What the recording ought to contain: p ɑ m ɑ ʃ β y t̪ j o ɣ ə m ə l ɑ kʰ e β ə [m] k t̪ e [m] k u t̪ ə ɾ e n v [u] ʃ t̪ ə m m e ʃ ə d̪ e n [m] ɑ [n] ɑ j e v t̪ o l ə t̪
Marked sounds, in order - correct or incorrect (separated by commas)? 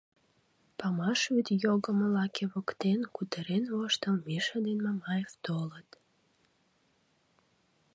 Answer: incorrect, incorrect, incorrect, correct, incorrect